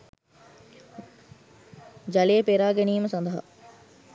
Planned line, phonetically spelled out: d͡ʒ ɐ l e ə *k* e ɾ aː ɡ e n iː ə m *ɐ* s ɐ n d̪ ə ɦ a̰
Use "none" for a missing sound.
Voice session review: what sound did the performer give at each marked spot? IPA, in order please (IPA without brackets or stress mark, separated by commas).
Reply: p, ə